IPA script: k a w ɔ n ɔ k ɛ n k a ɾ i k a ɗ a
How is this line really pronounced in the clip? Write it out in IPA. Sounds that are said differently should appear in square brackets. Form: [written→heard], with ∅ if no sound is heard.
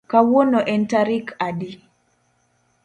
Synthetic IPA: k a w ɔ n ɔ [k→ʔ] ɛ n [k→t] a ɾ i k a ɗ [a→i]

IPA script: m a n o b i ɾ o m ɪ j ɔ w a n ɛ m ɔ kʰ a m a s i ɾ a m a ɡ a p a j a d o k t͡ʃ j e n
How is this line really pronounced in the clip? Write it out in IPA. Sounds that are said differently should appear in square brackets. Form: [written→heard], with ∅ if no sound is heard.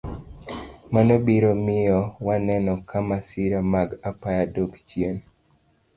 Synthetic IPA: m a n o b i ɾ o m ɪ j ɔ w a n ɛ [m→n] ɔ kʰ a m a s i ɾ a m a ɡ a p a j a d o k t͡ʃ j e n

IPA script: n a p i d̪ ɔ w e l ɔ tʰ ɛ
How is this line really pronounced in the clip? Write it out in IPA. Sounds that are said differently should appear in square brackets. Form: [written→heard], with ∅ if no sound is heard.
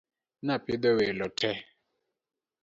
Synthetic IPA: n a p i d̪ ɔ w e l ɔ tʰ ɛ

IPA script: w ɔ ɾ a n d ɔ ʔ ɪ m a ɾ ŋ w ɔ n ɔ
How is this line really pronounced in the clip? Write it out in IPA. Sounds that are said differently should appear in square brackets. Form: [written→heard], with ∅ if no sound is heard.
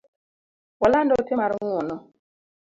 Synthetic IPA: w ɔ [ɾ→l] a n d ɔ [ʔ→t] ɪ m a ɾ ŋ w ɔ n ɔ

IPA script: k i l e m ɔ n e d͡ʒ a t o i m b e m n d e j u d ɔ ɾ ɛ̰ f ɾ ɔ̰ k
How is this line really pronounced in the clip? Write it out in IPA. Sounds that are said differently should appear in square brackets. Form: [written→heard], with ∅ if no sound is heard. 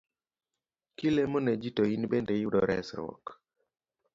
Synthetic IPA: k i l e m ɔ n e d͡ʒ [a→i] t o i [m→n] b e [m→∅] n d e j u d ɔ ɾ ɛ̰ [f→s] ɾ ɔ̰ k

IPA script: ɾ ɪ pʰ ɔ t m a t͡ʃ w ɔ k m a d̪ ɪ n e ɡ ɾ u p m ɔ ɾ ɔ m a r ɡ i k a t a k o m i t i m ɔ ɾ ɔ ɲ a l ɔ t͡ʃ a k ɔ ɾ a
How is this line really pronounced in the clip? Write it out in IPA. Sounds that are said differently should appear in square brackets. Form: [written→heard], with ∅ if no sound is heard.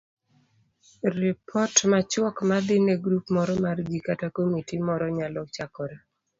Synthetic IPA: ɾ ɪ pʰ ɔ t m a t͡ʃ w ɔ k m a d̪ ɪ n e ɡ ɾ u p m ɔ ɾ ɔ m a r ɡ i k a t a k o m i t i m ɔ ɾ ɔ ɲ a l ɔ t͡ʃ a k ɔ ɾ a

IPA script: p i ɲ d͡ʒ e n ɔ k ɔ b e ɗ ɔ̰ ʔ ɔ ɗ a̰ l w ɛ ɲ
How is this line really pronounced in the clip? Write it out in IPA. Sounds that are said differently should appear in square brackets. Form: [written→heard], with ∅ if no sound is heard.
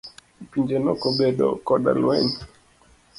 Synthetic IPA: p i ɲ d͡ʒ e n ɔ k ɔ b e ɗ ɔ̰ [ʔ→k] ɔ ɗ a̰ l w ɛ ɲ

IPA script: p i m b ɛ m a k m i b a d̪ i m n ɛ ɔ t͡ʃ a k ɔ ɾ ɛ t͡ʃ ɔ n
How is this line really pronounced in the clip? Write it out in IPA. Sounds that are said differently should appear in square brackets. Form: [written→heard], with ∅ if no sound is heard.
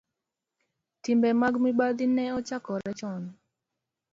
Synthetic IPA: [p→t] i m b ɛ m a [k→ɡ] m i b a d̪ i [m→∅] n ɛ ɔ t͡ʃ a k ɔ ɾ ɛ t͡ʃ ɔ n

